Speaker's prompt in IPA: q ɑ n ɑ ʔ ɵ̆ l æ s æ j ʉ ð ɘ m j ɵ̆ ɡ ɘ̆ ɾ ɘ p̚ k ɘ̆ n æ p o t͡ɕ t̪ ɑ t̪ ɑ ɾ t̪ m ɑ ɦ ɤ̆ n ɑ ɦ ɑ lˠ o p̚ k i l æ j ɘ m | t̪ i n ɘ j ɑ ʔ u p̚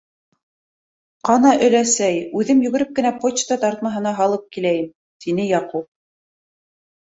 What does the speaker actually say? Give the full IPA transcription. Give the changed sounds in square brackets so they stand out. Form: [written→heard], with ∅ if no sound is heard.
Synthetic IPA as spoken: q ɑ n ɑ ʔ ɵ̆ l æ s æ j ʉ ð ɘ m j ɵ̆ ɡ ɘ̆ ɾ ɘ p̚ k ɘ̆ n æ p o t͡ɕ t̪ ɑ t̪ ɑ ɾ t̪ m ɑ ɦ ɤ̆ n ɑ ɦ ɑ lˠ [o→ɤ] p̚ k i l æ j ɘ m | t̪ i n ɘ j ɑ [ʔ→q] u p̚